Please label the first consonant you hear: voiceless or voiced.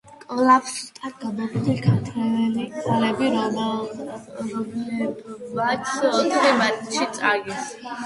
voiceless